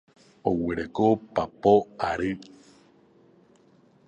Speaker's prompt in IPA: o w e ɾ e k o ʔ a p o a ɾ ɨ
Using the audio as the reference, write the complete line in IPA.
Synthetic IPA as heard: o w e ɾ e k o p a p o a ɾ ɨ